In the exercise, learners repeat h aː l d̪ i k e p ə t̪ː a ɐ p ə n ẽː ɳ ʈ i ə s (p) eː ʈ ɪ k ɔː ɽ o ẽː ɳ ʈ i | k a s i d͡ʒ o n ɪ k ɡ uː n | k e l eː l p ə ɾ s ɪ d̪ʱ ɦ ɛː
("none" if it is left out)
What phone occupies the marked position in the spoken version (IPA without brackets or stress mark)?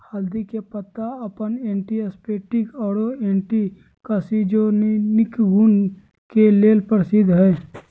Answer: p